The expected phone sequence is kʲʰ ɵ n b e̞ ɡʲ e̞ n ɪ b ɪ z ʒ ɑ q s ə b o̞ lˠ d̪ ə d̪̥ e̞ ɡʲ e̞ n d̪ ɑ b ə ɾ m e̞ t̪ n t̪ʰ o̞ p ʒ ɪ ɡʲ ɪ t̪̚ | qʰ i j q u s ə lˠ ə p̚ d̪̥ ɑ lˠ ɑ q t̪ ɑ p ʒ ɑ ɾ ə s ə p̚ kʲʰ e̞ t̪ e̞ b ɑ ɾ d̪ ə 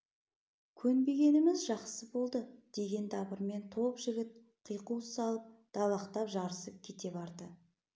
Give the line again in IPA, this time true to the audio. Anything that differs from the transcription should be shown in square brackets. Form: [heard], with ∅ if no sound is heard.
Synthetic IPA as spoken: kʲʰ ɵ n b e̞ ɡʲ e̞ n ɪ [m] ɪ z ʒ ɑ q s ə b o̞ lˠ d̪ ə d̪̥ e̞ ɡʲ e̞ n d̪ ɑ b ə ɾ m e̞ [∅] n t̪ʰ o̞ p ʒ ɪ ɡʲ ɪ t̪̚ | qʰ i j q u s [ɑ] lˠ ə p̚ d̪̥ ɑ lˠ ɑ q t̪ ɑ p ʒ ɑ ɾ ə s ə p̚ kʲʰ e̞ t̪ e̞ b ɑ ɾ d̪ ə